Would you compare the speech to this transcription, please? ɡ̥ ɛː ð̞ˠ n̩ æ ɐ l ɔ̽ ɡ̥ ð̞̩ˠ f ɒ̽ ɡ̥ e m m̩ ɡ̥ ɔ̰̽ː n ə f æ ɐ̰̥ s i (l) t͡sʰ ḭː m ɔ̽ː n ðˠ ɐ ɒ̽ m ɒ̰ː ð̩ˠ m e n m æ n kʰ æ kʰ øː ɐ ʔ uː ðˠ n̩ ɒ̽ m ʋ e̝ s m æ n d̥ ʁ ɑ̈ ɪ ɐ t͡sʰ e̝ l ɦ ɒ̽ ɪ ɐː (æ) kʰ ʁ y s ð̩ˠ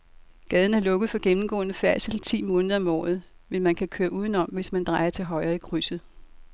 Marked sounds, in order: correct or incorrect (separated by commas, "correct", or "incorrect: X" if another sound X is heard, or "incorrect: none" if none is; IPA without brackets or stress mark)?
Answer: correct, incorrect: i